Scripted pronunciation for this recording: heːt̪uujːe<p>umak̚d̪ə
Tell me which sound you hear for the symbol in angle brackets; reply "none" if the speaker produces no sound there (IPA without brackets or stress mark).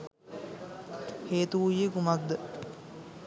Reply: k